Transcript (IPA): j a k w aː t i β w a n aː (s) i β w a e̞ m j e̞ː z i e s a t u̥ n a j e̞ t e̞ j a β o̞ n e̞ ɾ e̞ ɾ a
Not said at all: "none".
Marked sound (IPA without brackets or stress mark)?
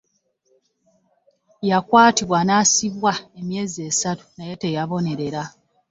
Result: s